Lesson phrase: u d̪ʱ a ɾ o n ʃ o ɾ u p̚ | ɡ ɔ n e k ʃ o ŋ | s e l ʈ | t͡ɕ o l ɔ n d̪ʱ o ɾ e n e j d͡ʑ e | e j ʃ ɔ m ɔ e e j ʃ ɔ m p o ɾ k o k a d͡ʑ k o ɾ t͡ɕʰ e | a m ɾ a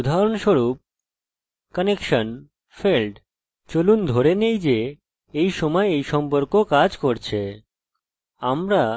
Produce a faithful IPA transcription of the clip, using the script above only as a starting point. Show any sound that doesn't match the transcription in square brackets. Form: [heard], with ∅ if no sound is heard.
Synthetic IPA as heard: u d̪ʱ a ɾ o n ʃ o ɾ u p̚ | [k] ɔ n e k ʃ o [n] | [f] e l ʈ | t͡ɕ o l [u] n d̪ʱ o ɾ e n e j d͡ʑ e | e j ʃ ɔ m ɔ e e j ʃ ɔ m p o ɾ k o k a d͡ʑ k o ɾ t͡ɕʰ e | a m ɾ a